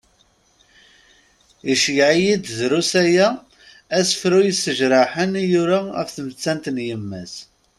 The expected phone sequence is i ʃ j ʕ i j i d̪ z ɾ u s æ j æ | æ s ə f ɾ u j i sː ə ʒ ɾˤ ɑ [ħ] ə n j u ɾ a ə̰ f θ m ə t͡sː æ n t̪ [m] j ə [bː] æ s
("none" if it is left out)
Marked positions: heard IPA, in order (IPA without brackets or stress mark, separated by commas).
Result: ħ, n, mː